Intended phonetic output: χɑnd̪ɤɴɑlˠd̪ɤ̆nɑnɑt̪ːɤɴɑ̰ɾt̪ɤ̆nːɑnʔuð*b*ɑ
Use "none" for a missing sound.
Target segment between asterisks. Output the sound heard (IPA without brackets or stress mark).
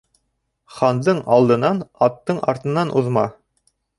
m